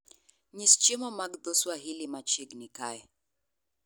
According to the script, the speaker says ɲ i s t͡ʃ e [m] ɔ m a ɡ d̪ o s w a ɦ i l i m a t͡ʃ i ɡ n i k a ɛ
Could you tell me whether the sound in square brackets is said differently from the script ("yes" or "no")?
no